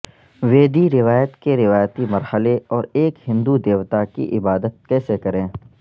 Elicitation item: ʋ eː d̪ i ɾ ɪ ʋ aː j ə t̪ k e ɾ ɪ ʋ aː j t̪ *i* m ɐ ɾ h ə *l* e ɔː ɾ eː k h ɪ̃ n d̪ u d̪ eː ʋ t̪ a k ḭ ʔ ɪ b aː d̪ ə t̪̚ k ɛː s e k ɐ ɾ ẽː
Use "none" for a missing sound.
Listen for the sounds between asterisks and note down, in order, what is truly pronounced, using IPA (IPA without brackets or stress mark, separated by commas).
i, l